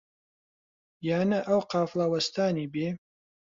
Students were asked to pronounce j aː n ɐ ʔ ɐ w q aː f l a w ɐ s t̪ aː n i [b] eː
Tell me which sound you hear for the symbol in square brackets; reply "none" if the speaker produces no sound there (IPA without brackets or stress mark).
b